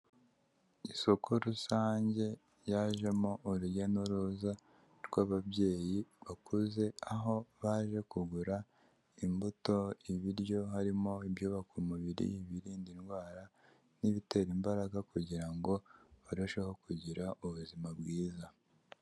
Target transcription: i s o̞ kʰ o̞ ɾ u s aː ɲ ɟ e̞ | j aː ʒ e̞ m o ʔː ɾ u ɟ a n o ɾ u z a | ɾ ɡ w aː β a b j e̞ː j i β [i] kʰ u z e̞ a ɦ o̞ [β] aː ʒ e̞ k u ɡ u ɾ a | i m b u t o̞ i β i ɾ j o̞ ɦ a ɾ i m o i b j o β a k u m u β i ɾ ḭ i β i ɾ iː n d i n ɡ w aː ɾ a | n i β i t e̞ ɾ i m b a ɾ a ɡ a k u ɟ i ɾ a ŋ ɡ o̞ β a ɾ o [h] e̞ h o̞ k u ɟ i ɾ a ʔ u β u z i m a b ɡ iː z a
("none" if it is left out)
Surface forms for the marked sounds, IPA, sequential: a, β, ʃ

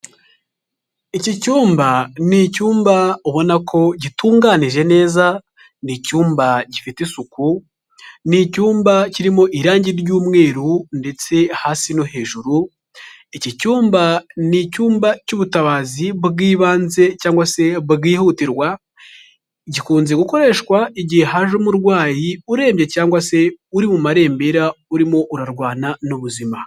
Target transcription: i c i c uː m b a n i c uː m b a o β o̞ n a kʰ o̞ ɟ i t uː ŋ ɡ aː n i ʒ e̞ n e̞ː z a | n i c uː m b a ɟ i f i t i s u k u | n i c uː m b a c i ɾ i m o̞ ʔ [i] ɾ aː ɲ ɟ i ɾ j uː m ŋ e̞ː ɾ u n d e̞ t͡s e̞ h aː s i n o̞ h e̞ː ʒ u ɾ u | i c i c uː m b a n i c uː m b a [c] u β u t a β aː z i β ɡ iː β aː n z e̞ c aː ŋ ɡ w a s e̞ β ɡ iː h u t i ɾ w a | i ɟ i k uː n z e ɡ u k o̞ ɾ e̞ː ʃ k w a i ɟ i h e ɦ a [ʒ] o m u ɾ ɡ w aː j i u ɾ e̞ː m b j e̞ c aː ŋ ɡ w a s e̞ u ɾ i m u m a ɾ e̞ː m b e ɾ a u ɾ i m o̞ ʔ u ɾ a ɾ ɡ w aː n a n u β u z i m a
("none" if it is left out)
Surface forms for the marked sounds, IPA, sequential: i, c, ʒ

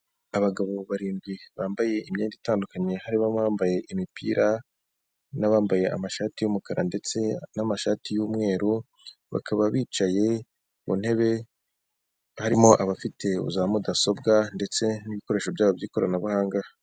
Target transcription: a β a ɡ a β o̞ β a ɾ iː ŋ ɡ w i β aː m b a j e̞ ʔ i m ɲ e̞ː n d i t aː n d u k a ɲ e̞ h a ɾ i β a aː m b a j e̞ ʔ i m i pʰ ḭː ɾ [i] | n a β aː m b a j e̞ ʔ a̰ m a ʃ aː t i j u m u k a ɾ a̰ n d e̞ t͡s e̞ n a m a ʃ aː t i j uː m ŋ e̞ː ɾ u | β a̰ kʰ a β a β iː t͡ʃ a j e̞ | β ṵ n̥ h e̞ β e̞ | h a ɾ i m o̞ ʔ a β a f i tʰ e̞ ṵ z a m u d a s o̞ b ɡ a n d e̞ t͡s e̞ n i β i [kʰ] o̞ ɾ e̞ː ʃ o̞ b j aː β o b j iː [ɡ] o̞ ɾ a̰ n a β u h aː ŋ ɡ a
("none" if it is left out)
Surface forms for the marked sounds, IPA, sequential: a, k, k

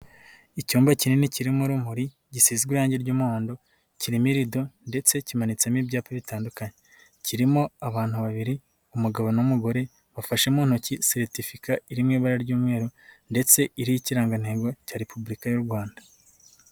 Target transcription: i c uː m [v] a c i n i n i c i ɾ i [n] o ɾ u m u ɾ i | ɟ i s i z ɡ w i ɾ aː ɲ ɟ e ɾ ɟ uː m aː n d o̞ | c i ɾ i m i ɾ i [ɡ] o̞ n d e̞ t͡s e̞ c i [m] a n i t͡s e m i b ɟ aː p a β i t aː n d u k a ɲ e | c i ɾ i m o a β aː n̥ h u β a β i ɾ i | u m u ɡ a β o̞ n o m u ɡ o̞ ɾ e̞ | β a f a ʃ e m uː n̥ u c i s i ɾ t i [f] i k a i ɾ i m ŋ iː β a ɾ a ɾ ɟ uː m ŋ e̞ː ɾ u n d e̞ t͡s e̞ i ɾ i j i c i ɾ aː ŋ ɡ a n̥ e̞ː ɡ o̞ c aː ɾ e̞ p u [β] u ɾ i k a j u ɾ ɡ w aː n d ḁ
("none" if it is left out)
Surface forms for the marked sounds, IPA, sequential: b, m, d, m, f, b

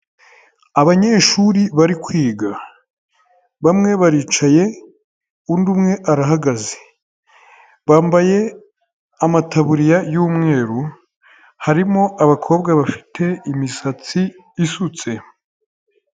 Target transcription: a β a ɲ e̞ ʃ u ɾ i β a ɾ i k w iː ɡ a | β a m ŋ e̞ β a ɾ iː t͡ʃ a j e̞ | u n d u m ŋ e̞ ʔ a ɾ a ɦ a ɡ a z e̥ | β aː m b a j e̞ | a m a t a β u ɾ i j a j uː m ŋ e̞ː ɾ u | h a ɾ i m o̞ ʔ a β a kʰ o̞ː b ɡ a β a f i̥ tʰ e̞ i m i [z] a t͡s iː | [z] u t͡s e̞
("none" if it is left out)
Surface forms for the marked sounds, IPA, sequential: s, s

